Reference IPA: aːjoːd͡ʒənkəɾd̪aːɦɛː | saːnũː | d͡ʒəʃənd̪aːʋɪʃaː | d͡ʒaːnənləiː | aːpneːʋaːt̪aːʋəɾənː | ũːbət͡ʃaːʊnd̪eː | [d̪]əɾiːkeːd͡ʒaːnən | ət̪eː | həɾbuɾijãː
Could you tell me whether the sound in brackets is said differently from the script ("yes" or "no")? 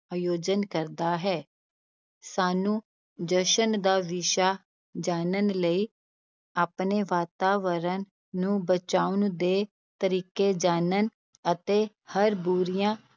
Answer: yes